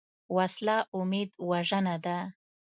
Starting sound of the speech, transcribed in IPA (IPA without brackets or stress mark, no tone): w